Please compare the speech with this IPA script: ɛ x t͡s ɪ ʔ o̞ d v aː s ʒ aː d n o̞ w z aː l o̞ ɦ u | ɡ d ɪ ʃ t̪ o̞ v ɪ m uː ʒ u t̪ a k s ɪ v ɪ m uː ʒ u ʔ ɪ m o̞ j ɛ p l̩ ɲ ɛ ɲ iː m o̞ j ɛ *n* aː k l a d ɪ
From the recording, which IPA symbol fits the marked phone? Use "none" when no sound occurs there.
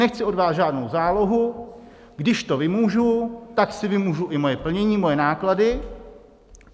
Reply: n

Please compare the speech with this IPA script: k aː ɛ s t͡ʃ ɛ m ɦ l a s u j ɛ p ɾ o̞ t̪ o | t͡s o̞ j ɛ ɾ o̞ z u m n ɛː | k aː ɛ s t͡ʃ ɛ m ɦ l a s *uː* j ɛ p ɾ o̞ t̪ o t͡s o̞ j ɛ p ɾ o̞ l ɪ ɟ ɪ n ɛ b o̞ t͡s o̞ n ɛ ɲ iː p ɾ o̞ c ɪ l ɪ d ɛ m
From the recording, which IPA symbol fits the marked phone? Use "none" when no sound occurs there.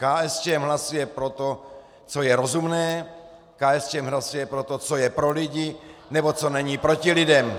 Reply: u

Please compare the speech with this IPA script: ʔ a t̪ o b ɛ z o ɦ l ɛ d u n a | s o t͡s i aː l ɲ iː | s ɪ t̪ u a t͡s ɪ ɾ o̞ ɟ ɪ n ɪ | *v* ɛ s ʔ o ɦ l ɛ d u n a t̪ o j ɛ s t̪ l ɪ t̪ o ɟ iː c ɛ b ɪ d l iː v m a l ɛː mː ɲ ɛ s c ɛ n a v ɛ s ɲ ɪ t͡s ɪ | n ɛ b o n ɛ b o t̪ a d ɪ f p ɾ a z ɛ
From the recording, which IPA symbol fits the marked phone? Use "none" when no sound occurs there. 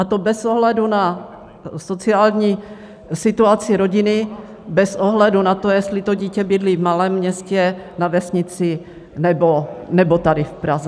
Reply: b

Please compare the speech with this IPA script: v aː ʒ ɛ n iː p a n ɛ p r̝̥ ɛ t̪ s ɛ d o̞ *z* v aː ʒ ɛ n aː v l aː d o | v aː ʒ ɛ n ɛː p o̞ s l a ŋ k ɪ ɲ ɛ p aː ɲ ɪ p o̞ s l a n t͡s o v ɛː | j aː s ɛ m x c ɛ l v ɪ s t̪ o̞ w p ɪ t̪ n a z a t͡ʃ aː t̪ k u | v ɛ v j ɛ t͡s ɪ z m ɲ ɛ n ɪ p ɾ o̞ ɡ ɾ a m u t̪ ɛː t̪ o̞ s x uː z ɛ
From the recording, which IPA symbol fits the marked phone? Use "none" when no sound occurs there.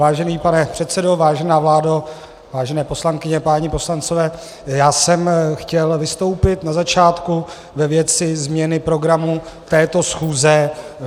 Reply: none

